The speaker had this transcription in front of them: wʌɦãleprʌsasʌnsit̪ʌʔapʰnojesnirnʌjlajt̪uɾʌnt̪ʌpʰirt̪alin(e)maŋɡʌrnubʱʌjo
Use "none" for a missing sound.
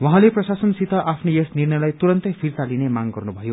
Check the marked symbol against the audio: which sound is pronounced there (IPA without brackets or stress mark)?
e